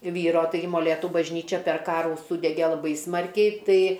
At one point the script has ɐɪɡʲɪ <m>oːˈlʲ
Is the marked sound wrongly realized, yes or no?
no